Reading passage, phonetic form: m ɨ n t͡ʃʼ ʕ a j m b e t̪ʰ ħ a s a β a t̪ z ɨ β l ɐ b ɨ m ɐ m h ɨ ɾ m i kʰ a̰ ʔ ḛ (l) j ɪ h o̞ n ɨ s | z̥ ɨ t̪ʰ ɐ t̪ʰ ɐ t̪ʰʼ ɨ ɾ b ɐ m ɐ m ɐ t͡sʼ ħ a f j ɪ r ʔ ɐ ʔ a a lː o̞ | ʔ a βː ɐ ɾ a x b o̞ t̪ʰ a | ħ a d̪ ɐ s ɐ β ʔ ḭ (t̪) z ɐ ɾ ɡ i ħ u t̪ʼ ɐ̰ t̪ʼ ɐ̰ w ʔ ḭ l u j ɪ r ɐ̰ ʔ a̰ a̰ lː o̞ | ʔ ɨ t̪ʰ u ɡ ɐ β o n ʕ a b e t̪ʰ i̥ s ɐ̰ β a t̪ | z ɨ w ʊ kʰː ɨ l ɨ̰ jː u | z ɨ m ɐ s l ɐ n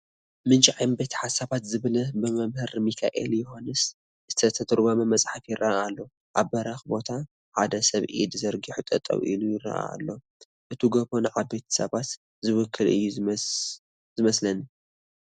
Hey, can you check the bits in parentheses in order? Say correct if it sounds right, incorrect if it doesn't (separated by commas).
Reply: correct, incorrect